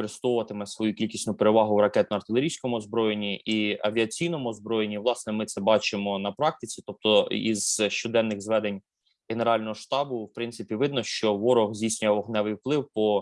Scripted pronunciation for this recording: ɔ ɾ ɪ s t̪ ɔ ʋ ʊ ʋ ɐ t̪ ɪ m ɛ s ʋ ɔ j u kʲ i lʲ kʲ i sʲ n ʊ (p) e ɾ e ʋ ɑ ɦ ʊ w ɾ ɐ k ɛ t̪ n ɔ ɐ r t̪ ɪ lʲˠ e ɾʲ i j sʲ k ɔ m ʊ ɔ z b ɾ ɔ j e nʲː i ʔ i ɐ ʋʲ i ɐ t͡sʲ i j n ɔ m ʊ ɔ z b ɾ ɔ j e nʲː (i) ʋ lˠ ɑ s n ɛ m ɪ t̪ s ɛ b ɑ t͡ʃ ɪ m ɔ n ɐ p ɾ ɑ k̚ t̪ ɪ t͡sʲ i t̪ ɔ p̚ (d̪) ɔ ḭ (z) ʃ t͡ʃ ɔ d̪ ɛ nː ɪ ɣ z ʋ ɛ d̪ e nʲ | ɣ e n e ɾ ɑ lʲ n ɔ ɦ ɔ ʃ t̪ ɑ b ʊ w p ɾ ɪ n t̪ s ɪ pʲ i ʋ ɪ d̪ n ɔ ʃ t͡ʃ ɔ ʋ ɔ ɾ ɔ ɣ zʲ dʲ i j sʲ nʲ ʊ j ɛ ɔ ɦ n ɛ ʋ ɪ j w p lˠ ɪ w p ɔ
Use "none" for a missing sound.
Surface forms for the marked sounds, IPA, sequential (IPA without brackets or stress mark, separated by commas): p, i, t̪, z